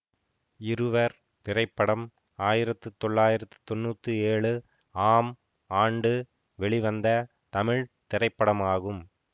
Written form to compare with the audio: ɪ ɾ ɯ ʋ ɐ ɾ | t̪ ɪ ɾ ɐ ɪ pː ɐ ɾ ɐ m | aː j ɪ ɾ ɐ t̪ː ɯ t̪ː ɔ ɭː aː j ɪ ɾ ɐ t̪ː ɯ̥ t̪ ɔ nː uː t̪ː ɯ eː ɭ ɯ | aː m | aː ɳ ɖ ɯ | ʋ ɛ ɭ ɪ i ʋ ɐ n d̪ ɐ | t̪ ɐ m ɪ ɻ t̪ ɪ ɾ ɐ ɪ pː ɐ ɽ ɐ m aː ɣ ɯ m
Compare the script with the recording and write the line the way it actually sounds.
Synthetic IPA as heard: ɪ ɾ ɯ ʋ ɐ ɾ | t̪ ɪ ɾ ɐ ɪ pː ɐ ɽ ɐ m | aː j ɪ ɾ ɐ t̪ː ɯ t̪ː ɔ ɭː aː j ɪ ɾ ɐ t̪ː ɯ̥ t̪ ɔ nː uː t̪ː ɯ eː ɭ ɯ | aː m | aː ɳ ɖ ɯ | ʋ ɛ ɭ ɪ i ʋ ɐ n d̪ ɐ | t̪ ɐ m ɪ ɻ t̪ ɪ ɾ ɐ ɪ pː ɐ ɽ ɐ m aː ɣ ɯ m